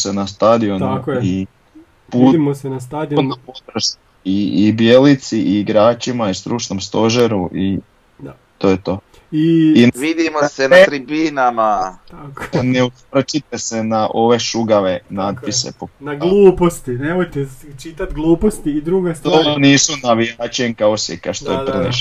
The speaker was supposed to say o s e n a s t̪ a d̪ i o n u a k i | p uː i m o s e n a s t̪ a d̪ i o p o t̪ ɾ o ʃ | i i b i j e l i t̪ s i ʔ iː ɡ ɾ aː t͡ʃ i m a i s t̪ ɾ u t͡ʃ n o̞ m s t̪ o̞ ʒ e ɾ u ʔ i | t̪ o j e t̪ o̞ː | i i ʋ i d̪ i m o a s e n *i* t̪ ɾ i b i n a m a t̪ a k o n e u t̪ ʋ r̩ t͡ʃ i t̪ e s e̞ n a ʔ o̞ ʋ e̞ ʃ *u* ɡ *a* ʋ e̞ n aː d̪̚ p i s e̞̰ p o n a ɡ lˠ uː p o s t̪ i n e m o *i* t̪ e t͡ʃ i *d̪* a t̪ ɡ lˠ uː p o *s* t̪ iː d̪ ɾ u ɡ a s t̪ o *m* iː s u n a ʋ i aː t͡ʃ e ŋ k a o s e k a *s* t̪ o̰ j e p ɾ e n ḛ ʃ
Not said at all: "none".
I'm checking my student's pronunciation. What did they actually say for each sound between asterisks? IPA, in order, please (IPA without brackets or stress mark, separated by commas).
a, u, a, j, t̪, s, n, ʃ